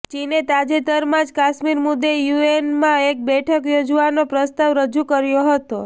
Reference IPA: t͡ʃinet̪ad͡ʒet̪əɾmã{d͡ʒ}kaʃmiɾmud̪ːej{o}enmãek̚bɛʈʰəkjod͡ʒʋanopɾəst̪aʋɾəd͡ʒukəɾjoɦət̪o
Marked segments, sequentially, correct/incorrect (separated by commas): correct, incorrect